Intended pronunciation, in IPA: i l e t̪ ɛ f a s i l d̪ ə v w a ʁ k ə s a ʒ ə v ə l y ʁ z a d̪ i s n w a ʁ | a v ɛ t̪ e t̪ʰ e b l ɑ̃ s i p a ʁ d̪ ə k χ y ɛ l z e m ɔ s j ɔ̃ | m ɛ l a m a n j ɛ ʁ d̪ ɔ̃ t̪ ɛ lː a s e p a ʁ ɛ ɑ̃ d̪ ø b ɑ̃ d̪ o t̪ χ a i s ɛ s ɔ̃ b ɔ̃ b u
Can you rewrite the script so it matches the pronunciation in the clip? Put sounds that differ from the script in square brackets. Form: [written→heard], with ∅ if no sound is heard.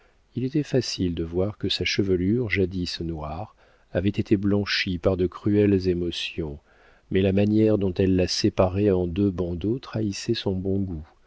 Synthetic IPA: i l e t̪ ɛ f a s i l d̪ ə v w a ʁ k ə s a [ʒ→ʃ] ə v ə l y ʁ [z→ʒ] a d̪ i s n w a ʁ | a v ɛ t̪ e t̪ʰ e b l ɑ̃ [s→ʃ] i p a ʁ d̪ ə k χ y ɛ l z e m ɔ s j ɔ̃ | m ɛ l a m a n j ɛ ʁ d̪ ɔ̃ t̪ ɛ lː a s e p a ʁ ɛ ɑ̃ d̪ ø b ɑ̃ d̪ o t̪ χ a i s ɛ s ɔ̃ b ɔ̃ [b→ɡ] u